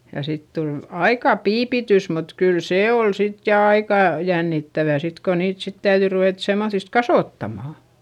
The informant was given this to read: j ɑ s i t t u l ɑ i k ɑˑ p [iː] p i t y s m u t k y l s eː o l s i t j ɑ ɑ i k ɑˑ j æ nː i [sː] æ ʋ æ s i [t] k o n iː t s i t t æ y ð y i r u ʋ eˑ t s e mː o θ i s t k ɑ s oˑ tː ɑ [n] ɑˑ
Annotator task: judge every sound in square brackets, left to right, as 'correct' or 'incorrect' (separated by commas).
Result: correct, incorrect, correct, incorrect